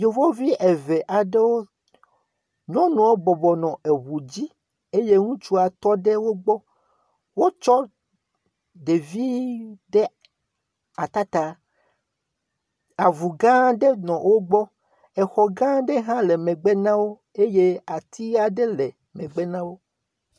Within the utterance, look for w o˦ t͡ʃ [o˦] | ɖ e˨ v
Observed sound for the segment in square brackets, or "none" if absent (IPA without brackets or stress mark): ɔ˦